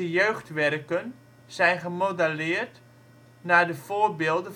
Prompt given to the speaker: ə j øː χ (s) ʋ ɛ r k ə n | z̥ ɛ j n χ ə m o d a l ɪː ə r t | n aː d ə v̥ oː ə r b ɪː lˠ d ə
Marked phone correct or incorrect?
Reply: incorrect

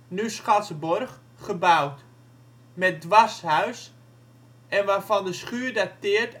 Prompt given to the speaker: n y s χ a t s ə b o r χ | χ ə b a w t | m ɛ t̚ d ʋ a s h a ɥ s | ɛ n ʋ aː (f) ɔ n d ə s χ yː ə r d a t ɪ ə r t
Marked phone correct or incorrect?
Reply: correct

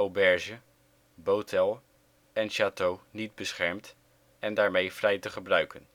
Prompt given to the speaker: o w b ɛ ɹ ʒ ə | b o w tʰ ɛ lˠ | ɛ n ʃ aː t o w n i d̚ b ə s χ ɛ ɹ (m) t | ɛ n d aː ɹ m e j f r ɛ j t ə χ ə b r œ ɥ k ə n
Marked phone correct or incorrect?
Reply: correct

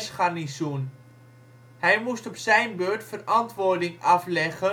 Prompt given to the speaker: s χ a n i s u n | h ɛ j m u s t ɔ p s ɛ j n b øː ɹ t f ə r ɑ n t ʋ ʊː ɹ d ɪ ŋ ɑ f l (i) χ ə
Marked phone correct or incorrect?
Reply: incorrect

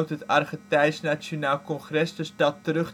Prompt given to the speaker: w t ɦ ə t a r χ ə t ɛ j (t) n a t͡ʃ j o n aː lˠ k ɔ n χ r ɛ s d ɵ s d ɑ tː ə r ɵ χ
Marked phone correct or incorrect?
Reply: incorrect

